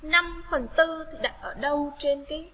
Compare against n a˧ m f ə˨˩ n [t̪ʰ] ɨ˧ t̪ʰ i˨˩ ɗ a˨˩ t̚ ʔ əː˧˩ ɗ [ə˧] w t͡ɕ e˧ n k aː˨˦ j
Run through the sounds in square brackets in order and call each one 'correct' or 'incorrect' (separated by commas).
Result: incorrect, correct